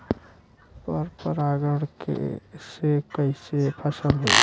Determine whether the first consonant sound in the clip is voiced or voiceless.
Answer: voiceless